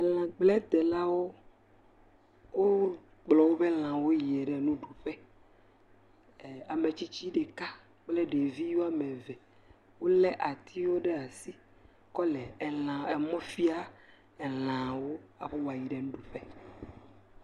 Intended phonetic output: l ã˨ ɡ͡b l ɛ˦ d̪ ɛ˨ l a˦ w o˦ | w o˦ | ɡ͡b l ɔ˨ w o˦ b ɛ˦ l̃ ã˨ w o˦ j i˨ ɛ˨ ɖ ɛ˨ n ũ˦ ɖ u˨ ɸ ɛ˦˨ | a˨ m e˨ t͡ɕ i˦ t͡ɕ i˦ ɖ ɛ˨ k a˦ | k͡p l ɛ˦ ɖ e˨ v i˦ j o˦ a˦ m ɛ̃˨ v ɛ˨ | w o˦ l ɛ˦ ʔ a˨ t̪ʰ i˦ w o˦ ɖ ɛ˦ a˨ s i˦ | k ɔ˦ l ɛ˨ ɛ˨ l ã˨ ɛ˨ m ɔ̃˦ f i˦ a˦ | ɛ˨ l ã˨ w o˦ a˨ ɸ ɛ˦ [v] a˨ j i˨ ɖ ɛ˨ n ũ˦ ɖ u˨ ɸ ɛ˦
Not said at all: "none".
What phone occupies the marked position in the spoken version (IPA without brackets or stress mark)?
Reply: w